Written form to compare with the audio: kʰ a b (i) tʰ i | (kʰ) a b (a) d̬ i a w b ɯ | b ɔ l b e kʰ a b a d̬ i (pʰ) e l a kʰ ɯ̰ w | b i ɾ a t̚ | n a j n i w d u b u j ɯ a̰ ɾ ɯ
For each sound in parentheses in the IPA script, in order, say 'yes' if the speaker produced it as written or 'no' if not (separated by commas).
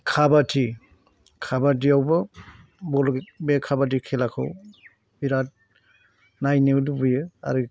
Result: no, yes, yes, no